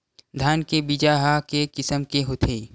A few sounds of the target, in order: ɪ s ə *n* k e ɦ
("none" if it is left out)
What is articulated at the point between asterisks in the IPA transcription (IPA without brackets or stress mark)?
m